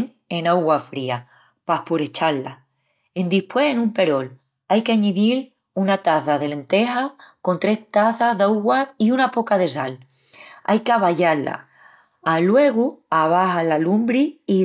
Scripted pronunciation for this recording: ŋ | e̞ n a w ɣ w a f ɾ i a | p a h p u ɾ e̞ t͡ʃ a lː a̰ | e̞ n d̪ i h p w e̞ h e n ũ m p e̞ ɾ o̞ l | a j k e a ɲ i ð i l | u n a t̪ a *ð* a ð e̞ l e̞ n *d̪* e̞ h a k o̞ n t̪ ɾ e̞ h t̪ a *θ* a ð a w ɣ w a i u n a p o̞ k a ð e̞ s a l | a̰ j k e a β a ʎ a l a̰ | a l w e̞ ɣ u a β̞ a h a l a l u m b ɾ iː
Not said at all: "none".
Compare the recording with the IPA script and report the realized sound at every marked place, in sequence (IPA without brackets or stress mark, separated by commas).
θ, t̪, θ